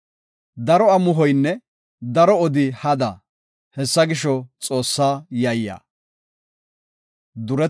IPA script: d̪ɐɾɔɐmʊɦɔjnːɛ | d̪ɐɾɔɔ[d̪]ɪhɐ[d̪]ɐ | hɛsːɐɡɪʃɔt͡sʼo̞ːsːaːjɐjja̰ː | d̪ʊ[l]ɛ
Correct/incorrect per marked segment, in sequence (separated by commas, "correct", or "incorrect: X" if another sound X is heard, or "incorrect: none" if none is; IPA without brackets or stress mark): correct, correct, incorrect: ɾ